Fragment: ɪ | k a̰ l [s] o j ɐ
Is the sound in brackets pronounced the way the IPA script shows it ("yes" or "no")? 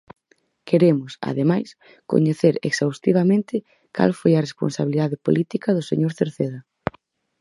no